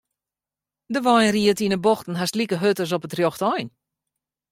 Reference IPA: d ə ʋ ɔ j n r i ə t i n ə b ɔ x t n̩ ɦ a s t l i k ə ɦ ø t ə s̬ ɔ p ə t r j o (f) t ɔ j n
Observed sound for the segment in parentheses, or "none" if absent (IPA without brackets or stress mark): x